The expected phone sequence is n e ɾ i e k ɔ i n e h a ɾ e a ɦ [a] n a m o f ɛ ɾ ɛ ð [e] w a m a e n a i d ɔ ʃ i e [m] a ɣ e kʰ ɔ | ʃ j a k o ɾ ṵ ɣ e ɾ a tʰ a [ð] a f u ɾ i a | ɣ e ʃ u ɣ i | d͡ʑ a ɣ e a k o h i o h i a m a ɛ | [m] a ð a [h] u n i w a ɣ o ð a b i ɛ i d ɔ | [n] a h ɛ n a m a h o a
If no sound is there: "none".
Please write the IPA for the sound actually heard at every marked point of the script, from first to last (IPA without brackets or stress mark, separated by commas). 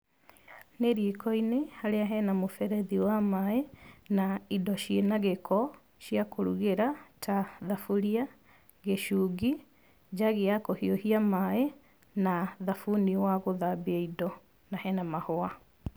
ɛ, i, n, ð, n, f, n